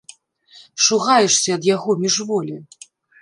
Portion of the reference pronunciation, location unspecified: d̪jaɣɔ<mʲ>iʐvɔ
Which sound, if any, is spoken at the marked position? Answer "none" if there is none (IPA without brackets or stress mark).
mʲ